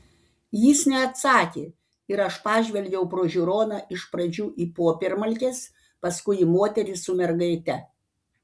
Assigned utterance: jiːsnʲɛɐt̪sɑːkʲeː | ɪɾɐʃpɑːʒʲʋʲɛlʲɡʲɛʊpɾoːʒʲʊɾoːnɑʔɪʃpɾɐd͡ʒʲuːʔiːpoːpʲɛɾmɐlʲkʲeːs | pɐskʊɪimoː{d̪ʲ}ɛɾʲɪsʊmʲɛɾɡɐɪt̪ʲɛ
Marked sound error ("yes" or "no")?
yes